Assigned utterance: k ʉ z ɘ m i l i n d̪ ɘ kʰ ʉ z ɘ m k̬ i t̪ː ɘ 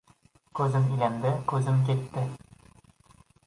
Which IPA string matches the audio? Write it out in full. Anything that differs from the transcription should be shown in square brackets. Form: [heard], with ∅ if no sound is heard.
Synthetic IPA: k ʉ z ɘ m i l [æ] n d̪ ɘ [k] ʉ z ɘ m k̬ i t̪ː ɘ